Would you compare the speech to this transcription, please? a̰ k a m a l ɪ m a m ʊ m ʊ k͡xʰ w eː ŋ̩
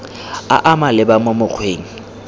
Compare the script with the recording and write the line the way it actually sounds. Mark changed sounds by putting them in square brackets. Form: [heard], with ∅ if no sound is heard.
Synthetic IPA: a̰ [ʔ] a m a l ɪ [b] a m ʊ m ʊ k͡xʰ w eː ŋ̩